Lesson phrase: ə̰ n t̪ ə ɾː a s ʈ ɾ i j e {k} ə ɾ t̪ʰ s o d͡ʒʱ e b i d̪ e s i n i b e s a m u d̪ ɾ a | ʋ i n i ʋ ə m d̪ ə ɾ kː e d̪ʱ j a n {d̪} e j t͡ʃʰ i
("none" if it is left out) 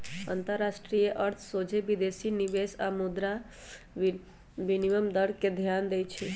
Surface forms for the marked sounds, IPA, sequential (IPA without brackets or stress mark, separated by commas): ʔ, d̪